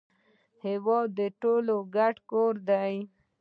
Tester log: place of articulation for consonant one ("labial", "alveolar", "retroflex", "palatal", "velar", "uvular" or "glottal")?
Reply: glottal